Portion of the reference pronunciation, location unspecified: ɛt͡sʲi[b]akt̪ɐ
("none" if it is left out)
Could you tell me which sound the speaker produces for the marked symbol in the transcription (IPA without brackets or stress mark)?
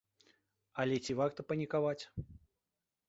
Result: v